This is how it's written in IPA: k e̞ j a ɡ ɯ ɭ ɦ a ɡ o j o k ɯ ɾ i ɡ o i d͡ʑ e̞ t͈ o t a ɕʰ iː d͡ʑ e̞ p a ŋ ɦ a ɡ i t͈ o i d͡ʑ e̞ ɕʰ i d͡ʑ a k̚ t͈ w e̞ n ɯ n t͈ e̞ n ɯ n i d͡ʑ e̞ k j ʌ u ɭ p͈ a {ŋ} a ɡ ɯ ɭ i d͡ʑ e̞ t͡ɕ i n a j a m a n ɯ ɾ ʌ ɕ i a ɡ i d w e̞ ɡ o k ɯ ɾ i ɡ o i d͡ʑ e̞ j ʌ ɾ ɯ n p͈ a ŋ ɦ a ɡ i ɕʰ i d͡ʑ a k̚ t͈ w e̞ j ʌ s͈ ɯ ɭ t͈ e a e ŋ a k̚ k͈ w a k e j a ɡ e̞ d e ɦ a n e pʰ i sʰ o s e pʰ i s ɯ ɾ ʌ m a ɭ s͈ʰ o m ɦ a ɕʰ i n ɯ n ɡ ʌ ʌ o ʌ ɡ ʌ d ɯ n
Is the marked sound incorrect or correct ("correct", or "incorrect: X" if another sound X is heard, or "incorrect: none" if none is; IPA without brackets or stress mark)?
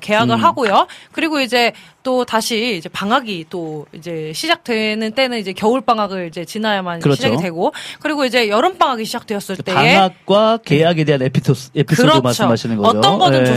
correct